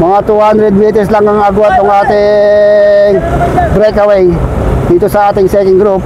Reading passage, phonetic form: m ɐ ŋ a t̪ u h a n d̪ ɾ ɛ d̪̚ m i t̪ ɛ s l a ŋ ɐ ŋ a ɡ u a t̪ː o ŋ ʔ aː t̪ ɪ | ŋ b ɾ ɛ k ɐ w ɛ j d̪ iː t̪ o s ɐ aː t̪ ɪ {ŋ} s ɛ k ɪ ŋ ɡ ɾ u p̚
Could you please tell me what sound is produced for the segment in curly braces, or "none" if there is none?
ŋ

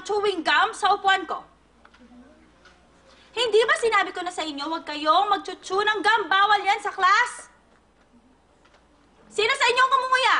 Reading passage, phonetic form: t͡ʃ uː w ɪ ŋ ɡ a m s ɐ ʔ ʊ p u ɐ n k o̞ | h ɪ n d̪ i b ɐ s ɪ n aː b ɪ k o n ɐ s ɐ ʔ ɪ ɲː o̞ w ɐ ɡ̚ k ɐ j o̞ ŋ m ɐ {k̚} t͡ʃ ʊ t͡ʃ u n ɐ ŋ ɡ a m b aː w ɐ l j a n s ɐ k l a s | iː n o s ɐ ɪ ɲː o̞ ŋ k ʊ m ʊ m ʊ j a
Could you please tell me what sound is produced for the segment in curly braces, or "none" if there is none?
ɡ̚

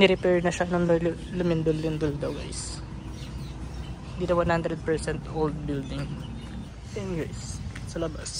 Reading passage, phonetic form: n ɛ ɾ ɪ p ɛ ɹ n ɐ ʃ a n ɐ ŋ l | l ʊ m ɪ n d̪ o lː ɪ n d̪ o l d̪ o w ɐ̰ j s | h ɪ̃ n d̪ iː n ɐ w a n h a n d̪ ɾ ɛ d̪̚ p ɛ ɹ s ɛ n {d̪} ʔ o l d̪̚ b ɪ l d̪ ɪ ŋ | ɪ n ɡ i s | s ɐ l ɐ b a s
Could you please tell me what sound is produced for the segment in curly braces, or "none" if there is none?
t̪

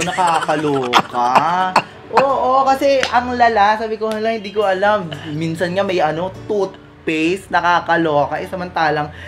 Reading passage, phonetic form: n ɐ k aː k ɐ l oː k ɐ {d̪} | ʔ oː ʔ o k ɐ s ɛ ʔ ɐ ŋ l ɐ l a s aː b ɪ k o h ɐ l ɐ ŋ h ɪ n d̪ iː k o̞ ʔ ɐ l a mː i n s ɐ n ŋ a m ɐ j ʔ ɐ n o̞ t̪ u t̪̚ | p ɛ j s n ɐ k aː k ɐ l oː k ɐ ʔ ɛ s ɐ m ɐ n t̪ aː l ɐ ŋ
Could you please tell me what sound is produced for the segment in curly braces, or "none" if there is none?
none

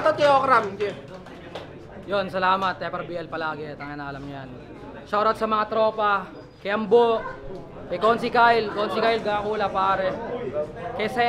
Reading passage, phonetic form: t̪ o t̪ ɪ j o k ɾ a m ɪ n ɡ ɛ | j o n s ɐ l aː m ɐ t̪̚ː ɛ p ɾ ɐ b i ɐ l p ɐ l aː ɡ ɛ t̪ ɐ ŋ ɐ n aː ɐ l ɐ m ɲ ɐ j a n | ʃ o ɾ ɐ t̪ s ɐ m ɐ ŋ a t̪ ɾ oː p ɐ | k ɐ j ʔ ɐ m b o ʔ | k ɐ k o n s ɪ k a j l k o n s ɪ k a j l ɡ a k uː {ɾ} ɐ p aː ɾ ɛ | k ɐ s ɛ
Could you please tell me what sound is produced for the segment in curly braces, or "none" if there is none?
l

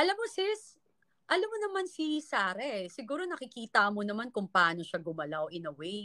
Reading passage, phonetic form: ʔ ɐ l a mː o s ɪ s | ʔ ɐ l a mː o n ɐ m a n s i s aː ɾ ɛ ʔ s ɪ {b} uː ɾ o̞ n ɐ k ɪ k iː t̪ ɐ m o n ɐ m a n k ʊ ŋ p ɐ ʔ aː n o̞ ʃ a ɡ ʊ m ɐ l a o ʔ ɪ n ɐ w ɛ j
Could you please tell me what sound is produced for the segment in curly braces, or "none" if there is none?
ɡ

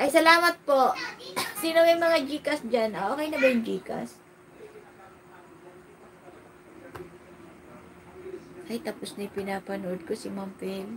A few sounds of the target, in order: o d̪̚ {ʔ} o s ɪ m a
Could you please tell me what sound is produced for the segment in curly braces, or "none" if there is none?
k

